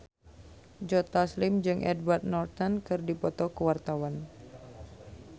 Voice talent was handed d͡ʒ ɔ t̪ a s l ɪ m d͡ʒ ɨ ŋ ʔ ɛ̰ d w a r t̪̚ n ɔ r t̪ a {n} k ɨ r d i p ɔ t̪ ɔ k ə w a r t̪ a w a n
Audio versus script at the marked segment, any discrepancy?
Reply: no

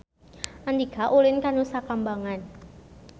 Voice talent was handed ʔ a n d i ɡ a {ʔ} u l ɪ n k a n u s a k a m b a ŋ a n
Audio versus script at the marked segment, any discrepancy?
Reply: no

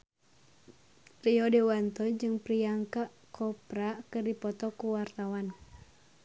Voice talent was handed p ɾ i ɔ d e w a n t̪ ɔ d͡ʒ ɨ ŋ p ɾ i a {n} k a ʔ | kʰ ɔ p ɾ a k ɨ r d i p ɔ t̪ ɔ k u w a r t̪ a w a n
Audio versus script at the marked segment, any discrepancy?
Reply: yes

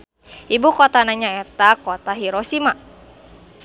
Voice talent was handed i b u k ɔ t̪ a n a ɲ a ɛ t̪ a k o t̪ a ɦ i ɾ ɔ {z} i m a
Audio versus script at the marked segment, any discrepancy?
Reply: yes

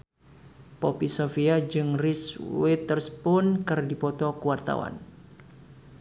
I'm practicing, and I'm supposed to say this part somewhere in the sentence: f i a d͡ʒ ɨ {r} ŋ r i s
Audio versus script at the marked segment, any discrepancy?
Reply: yes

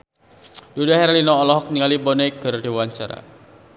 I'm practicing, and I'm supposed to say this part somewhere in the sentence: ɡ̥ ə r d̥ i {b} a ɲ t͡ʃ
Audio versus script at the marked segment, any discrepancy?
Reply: yes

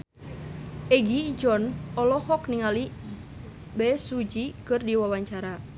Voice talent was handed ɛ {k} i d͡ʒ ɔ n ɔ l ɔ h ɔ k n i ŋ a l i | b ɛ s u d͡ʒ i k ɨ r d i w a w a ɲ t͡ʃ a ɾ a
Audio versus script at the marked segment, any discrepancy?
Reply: yes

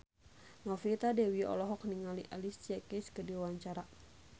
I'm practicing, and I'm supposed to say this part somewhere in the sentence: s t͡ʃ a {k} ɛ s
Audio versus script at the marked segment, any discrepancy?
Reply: no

